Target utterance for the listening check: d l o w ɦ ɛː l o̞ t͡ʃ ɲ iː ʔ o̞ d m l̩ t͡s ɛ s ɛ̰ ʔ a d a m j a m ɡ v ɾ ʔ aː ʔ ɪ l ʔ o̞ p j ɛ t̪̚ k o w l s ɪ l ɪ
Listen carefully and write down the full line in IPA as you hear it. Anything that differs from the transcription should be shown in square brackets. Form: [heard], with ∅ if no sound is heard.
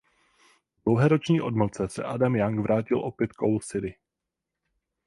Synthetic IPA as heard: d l o w ɦ ɛː [ɾ] o̞ t͡ʃ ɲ iː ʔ o̞ d m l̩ t͡s ɛ s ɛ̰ ʔ a d a m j a [ŋ] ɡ v ɾ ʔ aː [c] ɪ l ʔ o̞ p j ɛ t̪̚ k o w l s ɪ [ɾ] ɪ